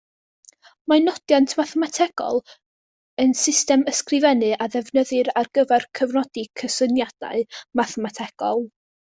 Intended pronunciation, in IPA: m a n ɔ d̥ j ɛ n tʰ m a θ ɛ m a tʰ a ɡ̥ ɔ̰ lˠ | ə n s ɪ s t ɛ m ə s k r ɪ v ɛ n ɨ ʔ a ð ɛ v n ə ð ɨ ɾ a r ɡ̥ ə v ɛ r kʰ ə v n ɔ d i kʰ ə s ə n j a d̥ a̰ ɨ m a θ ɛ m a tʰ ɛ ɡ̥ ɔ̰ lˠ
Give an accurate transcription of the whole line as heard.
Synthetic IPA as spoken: m a n ɔ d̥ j a n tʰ m a θ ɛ m a tʰ ɛ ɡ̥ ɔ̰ lˠ | ə n s ɪ s t ɛ m ə s k r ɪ v ɛ n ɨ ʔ a ð ɛ v n ə ð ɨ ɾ a r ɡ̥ ə v ɛ r kʰ ə v n ɔ d i kʰ ə s ə n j a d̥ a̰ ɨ m a θ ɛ m a tʰ ɛ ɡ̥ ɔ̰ lˠ